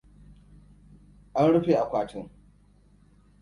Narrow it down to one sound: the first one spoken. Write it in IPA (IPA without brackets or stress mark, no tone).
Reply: ʔ